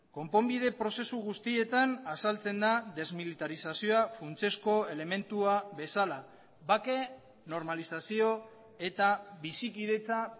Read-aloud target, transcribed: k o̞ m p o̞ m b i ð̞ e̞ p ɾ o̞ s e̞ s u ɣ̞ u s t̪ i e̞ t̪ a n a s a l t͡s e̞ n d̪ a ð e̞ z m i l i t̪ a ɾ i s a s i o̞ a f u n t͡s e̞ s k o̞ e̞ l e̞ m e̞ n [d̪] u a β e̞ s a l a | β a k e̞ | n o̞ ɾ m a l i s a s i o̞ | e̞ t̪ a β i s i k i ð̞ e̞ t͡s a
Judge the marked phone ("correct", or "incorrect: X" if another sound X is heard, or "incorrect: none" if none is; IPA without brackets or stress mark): incorrect: t̪